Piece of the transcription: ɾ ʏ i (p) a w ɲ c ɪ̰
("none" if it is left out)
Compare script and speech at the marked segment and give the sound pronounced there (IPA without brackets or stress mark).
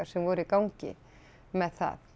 k